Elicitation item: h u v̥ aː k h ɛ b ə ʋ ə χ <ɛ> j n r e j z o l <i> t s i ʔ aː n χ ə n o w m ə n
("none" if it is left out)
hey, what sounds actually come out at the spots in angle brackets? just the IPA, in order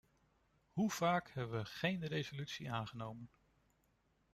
e, y

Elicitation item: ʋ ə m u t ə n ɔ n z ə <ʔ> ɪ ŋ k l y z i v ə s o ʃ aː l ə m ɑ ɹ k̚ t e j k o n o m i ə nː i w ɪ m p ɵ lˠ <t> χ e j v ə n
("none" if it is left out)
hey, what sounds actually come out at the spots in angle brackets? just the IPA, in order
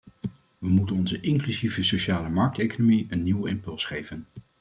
ʔ, s

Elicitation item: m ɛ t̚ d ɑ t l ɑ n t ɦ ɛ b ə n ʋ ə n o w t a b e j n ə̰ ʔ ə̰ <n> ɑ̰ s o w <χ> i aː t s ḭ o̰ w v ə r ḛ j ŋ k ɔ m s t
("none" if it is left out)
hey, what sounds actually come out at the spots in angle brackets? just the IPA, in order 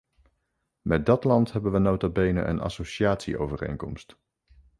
n, ʃ

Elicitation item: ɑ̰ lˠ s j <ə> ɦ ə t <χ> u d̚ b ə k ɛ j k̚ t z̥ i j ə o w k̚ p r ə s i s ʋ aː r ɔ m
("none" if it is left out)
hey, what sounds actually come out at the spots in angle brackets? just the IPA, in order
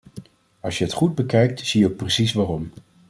ə, χ

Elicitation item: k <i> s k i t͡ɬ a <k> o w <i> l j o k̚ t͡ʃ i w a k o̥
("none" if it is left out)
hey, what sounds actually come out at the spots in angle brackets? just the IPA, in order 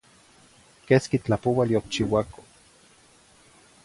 e, p, a

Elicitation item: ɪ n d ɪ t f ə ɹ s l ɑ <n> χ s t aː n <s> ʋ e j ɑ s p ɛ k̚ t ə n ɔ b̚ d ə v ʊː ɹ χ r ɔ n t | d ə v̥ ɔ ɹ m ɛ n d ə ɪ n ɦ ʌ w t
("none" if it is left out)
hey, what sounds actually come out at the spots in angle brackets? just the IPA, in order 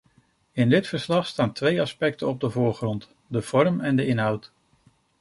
none, t

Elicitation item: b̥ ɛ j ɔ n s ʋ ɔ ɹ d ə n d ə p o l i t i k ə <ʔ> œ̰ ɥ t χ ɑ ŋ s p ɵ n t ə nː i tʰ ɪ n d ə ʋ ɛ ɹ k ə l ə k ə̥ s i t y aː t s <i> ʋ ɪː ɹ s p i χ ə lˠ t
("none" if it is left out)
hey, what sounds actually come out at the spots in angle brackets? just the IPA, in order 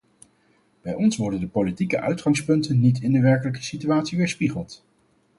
ʔ, i

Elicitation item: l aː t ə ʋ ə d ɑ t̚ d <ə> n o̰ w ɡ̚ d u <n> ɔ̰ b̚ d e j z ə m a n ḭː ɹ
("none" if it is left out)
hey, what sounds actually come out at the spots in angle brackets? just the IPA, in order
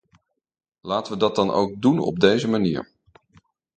ɑ, n

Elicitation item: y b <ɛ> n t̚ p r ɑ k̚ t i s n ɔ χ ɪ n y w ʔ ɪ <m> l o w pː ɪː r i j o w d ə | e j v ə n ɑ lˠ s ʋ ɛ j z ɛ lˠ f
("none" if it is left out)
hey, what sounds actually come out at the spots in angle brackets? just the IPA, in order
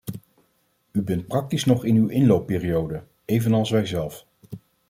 ɛ, n

